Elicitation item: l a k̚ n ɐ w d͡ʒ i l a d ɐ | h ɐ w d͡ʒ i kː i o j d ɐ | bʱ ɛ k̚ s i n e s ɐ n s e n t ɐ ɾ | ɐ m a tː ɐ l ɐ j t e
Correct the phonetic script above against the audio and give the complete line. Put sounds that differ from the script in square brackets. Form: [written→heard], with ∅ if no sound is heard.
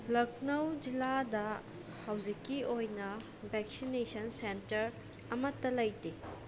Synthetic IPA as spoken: l [a→ɐ] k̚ n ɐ w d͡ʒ i l a d ɐ | h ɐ w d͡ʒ i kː i o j [d→n] ɐ | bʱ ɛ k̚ s i n e s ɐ n s e n t ɐ ɾ | ɐ m [a→ɐ] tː ɐ l ɐ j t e